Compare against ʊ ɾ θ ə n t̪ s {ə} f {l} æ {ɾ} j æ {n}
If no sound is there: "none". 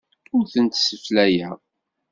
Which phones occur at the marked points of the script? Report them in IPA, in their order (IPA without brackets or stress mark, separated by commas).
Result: ə, l, none, none